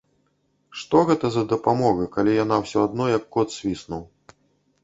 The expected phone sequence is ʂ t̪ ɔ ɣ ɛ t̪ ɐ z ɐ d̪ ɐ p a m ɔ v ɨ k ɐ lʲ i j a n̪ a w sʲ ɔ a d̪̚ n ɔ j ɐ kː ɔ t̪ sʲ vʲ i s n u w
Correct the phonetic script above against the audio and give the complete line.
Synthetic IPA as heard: ʂ t̪ ɔ ɣ ɛ t̪ ɐ z ɐ d̪ ɐ p a m ɔ ɣ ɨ k a lʲ i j a n̪ a w sʲ ɔ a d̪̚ n ɔ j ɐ kː ɔ t̪ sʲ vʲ i s n u w